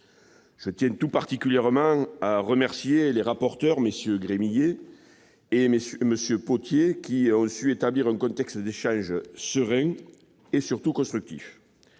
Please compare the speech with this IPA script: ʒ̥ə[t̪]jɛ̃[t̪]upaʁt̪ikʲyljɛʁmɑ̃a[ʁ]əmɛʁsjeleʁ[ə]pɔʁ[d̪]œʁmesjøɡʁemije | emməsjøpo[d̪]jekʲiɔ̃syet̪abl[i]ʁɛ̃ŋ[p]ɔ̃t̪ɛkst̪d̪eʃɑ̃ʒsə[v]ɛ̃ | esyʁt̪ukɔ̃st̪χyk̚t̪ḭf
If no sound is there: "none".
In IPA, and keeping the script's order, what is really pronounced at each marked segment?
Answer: t̪, t̪, ʁ, a, t̪, t̪, i, k, ʁ

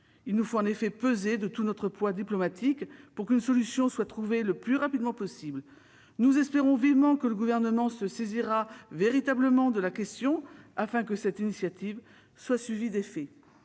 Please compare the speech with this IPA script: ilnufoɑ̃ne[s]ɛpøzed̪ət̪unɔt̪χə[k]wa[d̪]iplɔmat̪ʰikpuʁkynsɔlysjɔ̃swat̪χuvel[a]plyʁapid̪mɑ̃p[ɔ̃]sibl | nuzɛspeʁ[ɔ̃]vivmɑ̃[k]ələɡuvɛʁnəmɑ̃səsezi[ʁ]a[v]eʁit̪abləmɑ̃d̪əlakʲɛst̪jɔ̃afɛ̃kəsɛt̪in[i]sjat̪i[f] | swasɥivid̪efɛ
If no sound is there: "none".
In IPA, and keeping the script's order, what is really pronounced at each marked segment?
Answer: f, p, d̪, ə, ɔ, ɔ̃, k, ʁ, v, i, v

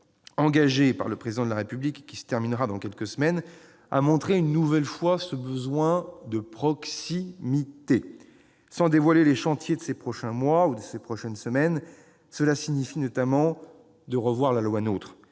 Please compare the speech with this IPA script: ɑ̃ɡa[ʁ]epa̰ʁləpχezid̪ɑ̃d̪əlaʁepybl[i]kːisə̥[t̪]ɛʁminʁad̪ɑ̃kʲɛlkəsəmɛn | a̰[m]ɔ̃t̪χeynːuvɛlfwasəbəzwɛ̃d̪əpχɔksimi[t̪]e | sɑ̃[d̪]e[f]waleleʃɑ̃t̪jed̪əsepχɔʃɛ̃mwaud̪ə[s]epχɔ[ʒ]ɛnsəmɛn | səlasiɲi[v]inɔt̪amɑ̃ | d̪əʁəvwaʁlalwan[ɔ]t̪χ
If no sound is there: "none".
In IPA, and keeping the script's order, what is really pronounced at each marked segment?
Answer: ʒ, i, t̪, m, t̪, d̪, v, s, ʃ, f, o

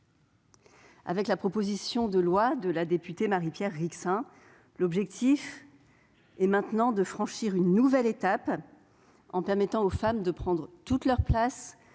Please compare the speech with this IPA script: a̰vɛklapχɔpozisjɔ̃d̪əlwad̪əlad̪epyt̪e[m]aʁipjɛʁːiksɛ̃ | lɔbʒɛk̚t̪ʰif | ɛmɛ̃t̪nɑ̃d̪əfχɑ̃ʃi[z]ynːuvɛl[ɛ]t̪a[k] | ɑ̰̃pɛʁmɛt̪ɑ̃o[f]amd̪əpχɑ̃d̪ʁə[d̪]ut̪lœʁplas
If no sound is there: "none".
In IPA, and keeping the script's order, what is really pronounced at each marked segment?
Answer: m, ʁ, e, p, f, t̪

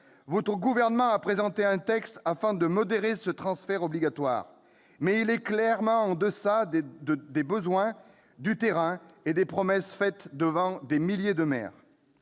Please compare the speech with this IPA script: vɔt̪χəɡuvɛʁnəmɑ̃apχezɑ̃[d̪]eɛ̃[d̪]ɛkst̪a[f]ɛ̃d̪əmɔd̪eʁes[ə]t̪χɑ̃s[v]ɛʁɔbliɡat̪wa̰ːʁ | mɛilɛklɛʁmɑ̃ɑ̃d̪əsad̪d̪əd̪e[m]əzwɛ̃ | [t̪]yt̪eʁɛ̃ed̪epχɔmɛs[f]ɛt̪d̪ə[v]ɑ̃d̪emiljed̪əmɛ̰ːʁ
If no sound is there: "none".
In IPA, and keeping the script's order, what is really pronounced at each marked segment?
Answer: t̪, t̪, f, ə, f, b, d̪, f, v

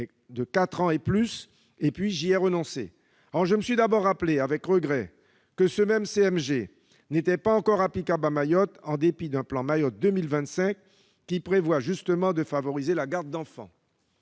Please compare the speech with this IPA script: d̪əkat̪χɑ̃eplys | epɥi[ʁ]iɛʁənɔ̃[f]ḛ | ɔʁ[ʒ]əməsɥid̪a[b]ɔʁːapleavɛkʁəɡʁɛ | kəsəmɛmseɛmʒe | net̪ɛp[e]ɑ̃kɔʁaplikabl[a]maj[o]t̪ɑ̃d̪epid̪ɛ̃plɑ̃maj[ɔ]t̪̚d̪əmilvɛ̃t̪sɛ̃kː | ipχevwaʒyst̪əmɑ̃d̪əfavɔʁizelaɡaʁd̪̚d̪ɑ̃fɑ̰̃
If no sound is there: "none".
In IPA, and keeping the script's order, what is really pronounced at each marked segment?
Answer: ʒ, s, ʒ, b, a, a, ɔ, ɔ

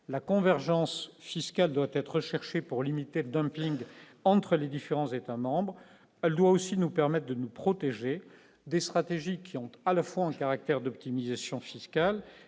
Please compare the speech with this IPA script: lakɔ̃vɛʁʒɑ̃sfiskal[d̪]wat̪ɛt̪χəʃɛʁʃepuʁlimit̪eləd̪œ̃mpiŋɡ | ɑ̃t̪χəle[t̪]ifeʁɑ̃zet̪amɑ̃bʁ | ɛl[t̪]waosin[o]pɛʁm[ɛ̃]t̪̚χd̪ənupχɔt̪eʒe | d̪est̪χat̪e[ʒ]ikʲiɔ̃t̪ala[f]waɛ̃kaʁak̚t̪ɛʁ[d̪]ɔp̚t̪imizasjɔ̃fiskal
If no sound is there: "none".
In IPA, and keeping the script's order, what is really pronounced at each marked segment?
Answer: d̪, d̪, d̪, u, ɛ, ʒ, f, d̪

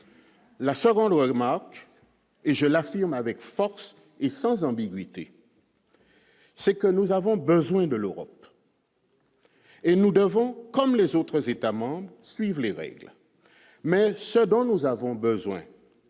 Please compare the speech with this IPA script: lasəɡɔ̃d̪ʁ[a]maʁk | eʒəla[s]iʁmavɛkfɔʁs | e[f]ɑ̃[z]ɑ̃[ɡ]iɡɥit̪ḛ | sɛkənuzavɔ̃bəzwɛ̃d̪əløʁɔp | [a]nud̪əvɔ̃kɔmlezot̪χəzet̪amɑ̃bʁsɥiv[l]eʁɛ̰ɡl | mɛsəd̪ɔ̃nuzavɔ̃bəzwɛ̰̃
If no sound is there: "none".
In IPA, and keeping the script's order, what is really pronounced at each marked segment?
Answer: ə, f, s, z, b, e, l

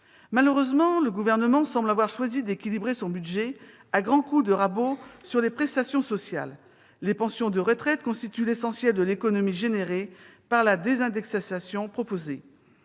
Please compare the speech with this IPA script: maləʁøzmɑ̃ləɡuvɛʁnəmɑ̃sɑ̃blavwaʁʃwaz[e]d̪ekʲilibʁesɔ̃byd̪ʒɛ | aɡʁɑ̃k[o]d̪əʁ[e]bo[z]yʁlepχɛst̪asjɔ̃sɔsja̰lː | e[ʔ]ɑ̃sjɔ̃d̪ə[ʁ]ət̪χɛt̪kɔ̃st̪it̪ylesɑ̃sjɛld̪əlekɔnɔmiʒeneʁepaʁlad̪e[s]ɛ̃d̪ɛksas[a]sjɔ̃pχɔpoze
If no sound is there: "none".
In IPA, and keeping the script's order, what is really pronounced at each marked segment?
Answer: i, u, a, s, p, ʁ, z, a

